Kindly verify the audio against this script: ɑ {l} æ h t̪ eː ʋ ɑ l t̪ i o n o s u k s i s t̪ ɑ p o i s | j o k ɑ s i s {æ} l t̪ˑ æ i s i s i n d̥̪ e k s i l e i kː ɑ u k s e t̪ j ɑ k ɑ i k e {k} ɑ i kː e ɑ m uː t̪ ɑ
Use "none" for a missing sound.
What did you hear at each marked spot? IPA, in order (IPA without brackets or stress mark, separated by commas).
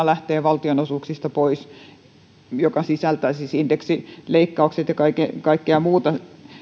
l, æ, k